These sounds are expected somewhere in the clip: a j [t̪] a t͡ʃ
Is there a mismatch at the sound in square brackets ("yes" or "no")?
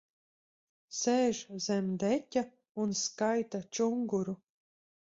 no